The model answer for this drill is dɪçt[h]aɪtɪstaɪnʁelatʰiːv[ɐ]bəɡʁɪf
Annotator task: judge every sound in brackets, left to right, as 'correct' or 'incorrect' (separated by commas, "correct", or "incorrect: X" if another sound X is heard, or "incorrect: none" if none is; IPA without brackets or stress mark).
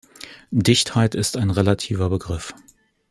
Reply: correct, correct